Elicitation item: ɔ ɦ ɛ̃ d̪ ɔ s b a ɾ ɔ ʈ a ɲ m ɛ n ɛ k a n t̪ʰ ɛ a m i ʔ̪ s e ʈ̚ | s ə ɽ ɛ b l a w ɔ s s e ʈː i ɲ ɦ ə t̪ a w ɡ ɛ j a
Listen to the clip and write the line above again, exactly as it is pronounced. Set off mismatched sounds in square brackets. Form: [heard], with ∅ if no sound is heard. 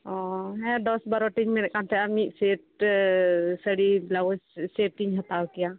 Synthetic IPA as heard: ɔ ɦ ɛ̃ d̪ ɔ s b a ɾ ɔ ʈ [i] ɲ m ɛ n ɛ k a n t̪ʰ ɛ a m i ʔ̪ s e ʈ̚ | s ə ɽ [i] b l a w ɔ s s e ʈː i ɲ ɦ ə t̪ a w [k] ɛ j a